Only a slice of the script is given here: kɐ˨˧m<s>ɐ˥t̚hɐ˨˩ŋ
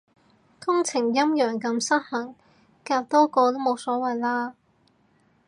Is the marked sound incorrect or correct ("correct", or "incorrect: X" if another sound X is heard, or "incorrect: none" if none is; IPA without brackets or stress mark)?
correct